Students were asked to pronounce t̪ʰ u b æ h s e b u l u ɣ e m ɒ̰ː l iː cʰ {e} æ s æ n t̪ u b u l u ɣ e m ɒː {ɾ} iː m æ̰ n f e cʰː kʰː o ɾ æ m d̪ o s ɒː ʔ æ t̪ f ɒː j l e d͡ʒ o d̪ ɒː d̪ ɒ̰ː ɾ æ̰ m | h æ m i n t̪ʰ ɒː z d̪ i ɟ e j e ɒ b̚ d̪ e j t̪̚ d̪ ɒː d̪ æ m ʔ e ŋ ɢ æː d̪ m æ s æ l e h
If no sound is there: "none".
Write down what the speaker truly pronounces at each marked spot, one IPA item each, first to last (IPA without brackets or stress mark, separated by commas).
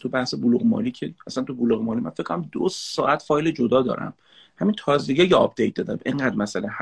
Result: e, l